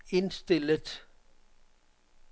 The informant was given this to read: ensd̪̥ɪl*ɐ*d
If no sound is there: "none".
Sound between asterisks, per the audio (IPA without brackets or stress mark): ə